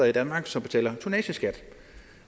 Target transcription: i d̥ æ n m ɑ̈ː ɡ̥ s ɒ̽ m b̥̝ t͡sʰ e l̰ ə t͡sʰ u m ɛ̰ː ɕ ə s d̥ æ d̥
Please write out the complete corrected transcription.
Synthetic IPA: i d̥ æ n m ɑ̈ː ɡ̥ s ɒ̽ m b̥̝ t͡sʰ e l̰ ɐ t͡sʰ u n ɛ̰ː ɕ ə s ɡ̥ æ d̥